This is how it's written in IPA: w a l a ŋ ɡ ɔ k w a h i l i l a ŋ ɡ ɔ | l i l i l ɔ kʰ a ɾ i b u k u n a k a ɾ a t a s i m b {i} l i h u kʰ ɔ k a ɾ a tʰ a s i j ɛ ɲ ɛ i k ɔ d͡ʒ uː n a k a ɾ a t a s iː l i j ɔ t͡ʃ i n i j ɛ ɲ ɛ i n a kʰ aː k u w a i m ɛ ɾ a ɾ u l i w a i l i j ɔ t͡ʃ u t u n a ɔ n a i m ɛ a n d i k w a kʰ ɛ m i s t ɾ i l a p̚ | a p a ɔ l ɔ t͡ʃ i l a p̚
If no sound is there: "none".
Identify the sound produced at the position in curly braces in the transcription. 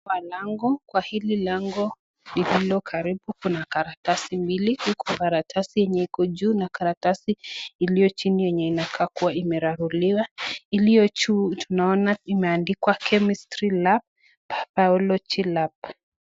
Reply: i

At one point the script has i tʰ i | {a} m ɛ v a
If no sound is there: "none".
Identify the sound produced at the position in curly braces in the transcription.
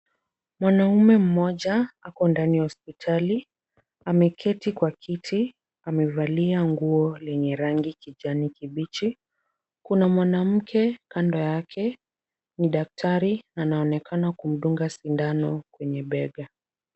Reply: a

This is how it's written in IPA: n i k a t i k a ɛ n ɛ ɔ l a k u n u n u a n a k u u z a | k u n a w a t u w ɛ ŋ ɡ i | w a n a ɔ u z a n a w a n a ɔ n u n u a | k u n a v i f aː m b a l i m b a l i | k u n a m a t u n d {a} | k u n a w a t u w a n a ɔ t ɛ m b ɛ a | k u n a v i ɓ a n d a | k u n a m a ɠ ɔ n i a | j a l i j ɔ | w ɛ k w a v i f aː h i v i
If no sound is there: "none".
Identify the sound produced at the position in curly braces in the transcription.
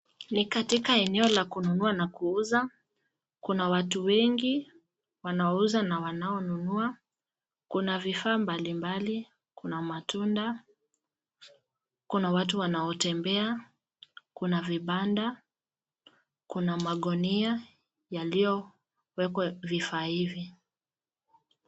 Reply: a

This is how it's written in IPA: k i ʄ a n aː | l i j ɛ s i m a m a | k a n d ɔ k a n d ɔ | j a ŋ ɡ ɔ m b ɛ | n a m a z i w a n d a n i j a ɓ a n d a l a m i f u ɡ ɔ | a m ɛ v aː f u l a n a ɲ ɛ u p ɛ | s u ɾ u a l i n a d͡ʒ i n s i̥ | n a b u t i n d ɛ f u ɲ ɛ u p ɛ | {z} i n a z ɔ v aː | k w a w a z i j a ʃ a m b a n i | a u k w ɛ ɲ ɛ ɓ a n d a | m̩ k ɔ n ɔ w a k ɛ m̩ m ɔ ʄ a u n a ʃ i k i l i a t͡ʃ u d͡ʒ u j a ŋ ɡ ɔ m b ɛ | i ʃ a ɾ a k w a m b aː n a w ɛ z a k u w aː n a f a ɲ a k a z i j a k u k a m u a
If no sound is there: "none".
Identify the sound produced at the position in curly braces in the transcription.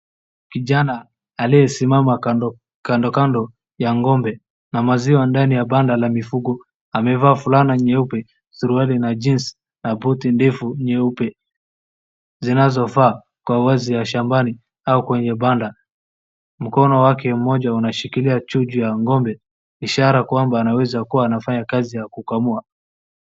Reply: z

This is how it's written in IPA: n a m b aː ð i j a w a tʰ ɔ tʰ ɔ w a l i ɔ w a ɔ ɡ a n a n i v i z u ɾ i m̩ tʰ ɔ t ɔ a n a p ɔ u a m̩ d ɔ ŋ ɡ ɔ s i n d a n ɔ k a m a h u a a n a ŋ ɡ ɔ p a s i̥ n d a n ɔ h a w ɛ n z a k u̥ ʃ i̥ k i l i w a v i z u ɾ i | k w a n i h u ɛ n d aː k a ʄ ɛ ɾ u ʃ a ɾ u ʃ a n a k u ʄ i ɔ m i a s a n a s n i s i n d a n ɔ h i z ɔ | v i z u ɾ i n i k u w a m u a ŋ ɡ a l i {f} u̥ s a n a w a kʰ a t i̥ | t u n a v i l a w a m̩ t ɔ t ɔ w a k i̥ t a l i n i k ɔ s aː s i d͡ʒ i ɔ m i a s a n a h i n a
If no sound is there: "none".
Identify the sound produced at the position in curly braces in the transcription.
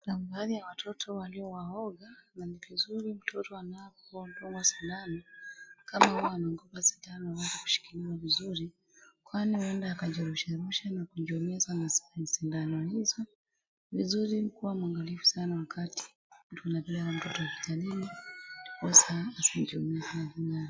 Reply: f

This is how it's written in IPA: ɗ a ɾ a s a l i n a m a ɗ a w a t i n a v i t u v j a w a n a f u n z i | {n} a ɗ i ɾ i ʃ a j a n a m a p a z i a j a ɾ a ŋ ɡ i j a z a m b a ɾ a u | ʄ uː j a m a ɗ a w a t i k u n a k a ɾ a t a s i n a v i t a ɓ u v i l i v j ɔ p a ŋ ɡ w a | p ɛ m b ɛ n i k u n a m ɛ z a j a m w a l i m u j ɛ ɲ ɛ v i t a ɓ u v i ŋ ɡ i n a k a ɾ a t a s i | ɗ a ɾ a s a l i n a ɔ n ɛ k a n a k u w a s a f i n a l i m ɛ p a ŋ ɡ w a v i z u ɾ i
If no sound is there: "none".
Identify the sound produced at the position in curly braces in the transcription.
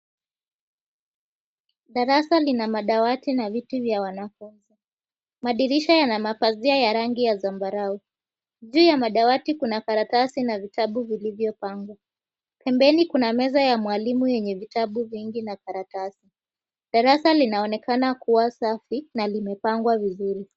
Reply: m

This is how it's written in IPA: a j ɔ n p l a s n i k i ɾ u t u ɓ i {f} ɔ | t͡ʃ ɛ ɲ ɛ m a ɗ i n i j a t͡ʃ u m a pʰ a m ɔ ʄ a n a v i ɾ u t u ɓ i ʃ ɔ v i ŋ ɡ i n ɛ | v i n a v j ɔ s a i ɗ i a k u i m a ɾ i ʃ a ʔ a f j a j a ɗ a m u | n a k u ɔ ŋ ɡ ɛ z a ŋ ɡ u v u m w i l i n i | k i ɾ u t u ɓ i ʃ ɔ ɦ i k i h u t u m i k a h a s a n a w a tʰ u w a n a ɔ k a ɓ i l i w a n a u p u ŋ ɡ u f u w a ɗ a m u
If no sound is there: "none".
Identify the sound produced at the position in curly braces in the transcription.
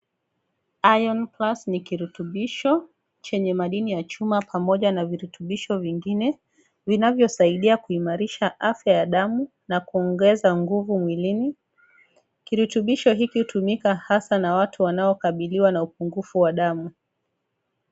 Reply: ʃ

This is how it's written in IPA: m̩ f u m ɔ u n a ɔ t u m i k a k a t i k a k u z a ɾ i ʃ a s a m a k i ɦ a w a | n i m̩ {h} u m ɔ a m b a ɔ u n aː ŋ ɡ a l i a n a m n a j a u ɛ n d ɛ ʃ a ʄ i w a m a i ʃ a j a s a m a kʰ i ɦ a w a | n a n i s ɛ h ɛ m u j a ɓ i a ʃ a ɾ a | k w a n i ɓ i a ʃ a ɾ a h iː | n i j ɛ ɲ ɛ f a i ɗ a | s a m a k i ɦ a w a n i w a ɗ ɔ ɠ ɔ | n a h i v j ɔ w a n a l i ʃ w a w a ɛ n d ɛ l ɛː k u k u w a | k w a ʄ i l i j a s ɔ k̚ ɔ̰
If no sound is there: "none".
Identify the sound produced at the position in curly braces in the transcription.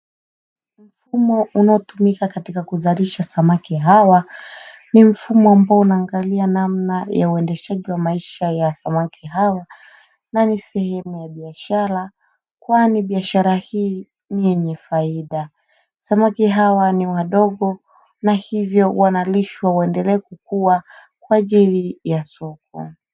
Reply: f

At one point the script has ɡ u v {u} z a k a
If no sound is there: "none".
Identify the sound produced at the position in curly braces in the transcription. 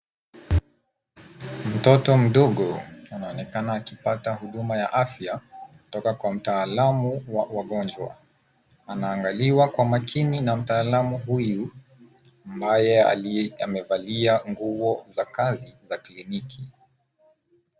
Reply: ɔ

